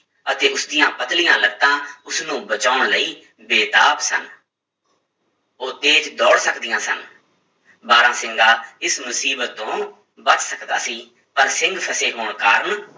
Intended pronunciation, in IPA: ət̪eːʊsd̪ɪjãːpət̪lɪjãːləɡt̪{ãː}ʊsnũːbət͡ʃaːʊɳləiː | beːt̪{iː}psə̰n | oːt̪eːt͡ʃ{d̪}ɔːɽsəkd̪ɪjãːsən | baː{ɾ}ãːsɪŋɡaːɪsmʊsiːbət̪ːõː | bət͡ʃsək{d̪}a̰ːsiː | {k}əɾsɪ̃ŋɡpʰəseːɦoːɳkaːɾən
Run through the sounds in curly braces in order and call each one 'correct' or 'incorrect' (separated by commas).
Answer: correct, incorrect, correct, correct, correct, incorrect